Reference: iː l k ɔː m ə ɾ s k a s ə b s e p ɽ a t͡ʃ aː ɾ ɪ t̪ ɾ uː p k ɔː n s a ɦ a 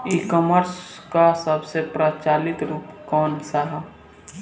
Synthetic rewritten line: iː k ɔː m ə ɾ s k a s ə b s e p ɾ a t͡ʃ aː l ɪ t̪ ɾ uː p k ɔː n s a ɦ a